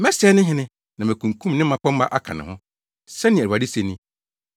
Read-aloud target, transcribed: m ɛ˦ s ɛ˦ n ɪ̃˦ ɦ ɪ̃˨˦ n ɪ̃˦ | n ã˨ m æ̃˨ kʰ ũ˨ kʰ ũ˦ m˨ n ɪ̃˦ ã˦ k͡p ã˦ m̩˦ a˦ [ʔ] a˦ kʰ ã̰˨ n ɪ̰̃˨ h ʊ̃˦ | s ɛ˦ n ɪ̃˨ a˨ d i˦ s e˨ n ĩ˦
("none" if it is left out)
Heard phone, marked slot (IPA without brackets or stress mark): ʔ